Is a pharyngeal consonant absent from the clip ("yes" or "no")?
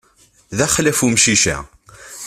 yes